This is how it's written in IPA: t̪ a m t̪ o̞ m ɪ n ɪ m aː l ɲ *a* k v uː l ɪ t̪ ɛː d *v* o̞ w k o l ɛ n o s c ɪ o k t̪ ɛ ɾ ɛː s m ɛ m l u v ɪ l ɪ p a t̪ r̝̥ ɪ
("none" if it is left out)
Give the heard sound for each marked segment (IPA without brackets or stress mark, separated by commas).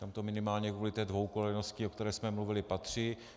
ɛ, v